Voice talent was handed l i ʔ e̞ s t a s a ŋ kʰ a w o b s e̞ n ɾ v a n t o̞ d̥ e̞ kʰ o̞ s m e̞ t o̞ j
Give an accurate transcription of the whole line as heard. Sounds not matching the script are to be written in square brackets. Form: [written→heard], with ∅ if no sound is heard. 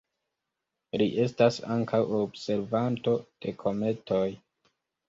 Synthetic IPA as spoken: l i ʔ e̞ s t a s a ŋ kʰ a w o b s e̞ [n→∅] ɾ v a n t o̞ d̥ e̞ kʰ o̞ [s→∅] m e̞ t o̞ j